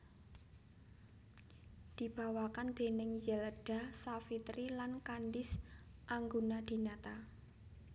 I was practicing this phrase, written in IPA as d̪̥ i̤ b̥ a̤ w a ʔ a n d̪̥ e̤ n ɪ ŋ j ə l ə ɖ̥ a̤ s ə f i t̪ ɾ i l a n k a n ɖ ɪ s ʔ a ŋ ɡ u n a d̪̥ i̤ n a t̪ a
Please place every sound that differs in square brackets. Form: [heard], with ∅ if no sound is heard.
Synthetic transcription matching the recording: d̪̥ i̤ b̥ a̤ w a [k] a n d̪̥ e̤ n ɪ ŋ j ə l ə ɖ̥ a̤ s [a] f i t̪ ɾ i l a n k a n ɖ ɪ s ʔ a ŋ ɡ u n a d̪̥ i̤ n a t̪ a